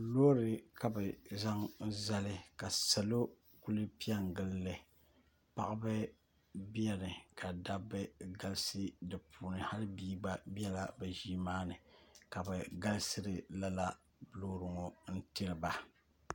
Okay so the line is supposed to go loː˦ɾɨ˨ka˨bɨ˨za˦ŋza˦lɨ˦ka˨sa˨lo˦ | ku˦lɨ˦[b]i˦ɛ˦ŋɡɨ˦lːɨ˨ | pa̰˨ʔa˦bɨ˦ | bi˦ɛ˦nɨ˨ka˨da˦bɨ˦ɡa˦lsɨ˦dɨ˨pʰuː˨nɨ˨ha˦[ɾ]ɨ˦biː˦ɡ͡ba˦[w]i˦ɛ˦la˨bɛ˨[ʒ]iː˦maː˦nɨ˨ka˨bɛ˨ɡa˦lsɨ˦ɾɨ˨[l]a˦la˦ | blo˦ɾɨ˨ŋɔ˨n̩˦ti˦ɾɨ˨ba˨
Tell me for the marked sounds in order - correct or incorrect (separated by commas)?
incorrect, incorrect, incorrect, correct, correct